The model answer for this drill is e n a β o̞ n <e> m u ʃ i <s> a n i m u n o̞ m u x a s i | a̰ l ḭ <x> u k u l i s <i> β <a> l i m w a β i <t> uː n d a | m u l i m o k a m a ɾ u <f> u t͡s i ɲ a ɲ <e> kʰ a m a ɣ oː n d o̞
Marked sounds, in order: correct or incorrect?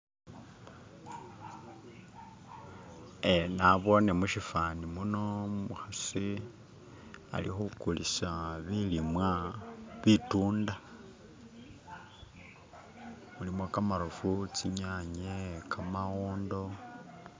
correct, incorrect, correct, incorrect, incorrect, correct, correct, correct

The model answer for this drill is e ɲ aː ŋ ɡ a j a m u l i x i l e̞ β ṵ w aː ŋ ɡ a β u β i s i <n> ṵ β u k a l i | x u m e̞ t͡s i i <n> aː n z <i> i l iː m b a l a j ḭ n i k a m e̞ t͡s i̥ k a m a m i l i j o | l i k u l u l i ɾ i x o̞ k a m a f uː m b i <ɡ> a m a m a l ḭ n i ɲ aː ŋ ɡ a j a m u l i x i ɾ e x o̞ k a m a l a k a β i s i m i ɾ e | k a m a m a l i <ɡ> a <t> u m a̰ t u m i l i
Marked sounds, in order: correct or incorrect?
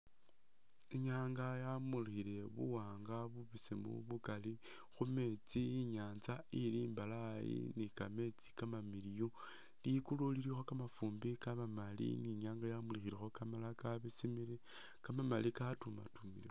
incorrect, incorrect, incorrect, incorrect, incorrect, correct

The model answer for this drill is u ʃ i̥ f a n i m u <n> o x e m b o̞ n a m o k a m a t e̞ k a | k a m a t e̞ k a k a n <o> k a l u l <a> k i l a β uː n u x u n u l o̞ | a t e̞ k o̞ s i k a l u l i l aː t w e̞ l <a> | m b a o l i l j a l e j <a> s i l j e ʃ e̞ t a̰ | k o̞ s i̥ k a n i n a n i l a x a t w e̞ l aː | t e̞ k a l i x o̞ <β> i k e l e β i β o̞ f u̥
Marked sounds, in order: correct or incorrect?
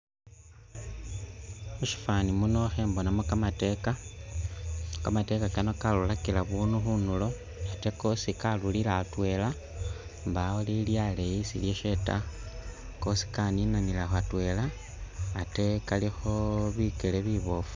correct, correct, correct, correct, incorrect, correct

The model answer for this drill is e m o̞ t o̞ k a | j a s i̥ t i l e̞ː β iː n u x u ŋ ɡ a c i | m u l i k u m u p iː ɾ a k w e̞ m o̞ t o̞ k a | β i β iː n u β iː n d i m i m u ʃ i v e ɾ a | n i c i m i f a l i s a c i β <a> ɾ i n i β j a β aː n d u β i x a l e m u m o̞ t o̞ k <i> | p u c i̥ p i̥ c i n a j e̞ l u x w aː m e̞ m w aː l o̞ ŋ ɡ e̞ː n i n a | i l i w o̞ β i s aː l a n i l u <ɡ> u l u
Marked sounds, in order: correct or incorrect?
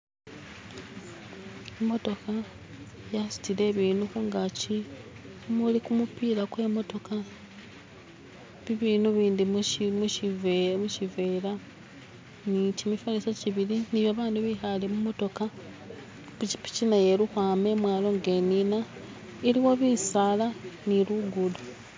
incorrect, incorrect, correct

